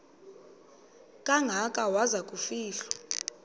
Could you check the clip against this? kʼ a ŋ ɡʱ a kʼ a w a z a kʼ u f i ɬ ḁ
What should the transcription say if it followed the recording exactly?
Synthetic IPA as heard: kʼ a ŋ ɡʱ a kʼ a w a z a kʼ u f iː ɬ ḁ